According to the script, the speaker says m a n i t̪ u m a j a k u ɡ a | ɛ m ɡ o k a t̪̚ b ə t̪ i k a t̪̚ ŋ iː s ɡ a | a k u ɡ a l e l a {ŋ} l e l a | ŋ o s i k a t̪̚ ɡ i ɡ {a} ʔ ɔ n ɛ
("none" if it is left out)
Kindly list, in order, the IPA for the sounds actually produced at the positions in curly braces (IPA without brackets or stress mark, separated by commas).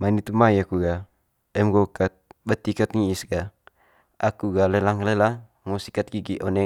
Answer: ŋ, i